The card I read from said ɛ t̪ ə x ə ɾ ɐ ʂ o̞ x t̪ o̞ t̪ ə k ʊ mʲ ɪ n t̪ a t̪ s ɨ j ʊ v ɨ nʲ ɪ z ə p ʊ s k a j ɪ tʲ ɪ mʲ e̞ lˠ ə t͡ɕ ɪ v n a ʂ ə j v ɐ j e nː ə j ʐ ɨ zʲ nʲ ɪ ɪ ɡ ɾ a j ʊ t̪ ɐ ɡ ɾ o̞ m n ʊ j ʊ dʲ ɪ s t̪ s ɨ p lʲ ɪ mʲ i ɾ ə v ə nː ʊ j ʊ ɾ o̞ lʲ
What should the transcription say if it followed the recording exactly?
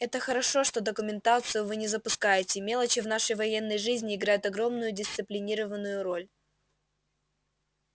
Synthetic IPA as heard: ɛ t̪ ə x ə ɾ ɐ ʂ o̞ ʂ t̪ o̞ d̪ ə k ʊ mʲ ɪ n t̪ a t̪ s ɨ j ʊ v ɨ nʲ ɪ z ə p ʊ s k a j ɪ tʲ ɪ mʲ e̞ lˠ ə t͡ɕ ɪ v n a ʂ ə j v ɐ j e nː ə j ʐ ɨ zʲ nʲ ɪ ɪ ɡ ɾ a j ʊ t̪ ɐ ɡ ɾ o̞ m n ʊ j ʊ dʲ ɪ s t̪ s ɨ p lʲ ɪ nʲ i ɾ ə v ə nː ʊ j ʊ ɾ o̞ lʲ